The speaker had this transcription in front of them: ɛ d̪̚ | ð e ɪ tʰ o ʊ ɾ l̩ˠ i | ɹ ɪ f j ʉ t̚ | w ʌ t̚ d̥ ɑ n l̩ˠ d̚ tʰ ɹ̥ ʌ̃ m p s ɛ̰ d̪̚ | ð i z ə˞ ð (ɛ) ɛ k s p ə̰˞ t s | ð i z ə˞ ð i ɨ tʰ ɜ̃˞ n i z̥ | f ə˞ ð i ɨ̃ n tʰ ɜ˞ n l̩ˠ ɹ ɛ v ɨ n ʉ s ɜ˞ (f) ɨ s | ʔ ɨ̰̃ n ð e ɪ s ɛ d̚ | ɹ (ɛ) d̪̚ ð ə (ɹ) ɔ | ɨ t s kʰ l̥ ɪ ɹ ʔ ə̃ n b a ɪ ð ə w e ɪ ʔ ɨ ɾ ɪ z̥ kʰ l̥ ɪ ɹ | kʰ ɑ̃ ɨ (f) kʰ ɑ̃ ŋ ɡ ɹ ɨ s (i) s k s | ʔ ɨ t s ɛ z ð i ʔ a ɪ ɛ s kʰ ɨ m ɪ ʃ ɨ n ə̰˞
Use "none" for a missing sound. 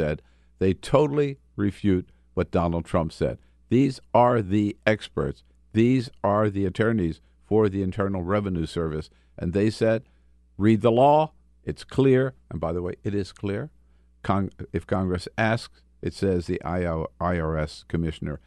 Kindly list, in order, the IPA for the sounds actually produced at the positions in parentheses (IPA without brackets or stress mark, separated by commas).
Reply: i, v, i, l, f, æ